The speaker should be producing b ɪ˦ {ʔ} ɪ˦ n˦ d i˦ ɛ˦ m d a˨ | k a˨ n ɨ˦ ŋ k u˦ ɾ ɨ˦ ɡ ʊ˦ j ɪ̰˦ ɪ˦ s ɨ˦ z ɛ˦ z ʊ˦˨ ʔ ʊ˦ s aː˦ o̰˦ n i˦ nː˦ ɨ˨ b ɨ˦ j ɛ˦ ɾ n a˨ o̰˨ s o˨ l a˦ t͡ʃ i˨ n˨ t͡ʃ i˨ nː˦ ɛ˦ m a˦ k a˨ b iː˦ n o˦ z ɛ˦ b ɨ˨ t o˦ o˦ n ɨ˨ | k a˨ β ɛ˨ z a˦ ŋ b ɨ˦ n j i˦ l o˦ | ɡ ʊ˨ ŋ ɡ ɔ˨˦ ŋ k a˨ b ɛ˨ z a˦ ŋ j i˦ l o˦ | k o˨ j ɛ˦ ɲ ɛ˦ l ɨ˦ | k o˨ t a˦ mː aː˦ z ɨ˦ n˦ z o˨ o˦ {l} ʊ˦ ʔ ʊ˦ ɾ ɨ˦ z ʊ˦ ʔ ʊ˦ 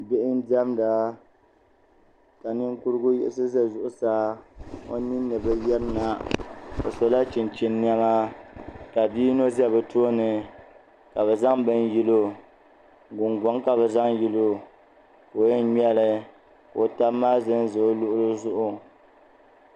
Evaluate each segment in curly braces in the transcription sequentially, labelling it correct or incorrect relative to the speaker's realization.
correct, correct

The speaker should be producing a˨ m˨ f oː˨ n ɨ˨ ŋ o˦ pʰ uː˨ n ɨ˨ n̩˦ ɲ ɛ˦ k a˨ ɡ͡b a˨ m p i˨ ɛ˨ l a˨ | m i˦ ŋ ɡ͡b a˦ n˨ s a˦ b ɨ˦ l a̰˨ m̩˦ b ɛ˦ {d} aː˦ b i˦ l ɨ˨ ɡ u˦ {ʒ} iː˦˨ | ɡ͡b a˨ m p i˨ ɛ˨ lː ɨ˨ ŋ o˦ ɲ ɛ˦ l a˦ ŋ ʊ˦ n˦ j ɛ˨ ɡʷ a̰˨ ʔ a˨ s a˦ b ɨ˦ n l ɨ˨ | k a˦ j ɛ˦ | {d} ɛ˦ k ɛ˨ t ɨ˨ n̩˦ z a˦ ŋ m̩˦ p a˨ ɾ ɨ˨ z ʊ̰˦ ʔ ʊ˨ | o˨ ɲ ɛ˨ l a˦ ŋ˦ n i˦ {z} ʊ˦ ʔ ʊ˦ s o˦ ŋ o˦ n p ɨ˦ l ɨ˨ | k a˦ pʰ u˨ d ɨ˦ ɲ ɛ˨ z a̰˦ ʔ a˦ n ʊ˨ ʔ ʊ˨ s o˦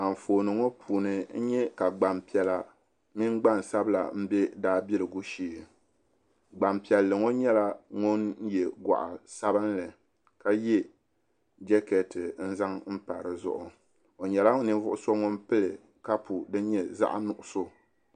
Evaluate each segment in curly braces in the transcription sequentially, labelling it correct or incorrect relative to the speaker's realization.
correct, incorrect: ʃ, incorrect: d͡ʒ, incorrect: v

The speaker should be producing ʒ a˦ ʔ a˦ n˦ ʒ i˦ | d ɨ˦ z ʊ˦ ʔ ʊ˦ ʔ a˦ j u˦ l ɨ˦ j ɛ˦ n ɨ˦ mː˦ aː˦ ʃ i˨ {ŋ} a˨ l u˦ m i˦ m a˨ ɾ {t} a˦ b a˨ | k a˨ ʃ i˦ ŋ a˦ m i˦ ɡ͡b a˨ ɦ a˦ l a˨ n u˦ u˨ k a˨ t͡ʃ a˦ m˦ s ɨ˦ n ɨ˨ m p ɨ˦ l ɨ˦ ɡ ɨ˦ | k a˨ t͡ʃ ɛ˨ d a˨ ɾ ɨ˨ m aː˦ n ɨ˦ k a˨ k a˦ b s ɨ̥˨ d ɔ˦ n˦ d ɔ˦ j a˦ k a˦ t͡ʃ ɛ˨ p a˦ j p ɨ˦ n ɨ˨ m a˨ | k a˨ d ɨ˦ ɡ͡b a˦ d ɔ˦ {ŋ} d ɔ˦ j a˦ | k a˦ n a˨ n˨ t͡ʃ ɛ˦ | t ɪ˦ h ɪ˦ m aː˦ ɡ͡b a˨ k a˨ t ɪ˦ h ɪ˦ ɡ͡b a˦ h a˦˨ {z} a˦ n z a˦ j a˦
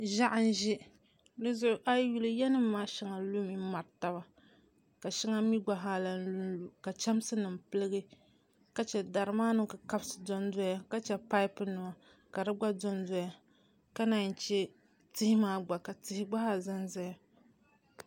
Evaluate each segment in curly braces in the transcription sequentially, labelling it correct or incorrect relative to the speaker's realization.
correct, correct, incorrect: n, correct

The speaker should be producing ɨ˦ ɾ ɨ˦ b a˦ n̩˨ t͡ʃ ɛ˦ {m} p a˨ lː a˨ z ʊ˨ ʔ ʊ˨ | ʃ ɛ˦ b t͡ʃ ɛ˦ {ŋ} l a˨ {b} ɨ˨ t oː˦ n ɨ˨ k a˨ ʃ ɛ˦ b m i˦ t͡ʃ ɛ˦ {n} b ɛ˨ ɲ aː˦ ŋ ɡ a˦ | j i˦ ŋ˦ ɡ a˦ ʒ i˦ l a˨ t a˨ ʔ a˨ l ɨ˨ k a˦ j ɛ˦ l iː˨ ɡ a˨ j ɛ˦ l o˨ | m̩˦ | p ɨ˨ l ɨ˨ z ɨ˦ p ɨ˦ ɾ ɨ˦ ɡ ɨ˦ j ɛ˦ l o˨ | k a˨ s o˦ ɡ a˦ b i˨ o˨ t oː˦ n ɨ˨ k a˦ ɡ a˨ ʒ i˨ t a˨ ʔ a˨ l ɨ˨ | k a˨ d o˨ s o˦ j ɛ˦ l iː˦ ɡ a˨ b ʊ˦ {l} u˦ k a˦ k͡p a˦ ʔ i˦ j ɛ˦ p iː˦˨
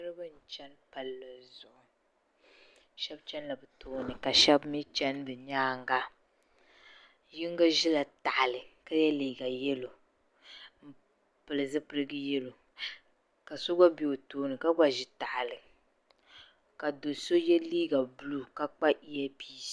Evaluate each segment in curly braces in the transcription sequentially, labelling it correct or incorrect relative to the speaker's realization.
incorrect: n, incorrect: n, correct, correct, correct

